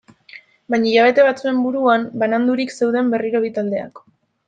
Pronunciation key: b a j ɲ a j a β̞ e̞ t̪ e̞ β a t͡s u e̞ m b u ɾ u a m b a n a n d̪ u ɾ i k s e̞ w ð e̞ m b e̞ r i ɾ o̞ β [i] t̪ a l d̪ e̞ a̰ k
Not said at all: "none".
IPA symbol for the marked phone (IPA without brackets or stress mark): i